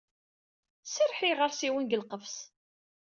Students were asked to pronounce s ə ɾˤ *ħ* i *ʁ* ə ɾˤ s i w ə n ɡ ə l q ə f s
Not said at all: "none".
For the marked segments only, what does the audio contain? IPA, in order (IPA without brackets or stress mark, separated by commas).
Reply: ħ, ʁ